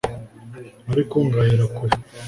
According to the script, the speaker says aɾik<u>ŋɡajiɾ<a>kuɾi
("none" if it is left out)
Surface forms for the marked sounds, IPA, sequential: o, a

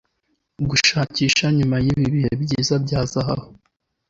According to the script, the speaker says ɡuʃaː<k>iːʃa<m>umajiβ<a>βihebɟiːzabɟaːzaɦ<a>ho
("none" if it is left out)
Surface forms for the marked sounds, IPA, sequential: c, ɲ, i, a

